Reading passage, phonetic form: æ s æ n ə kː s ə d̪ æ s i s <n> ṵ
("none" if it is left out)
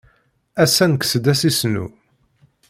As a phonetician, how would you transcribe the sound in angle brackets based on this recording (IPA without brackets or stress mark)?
n